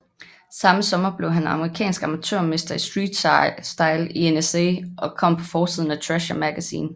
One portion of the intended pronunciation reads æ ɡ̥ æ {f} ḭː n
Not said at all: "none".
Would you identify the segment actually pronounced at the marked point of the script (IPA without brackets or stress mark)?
s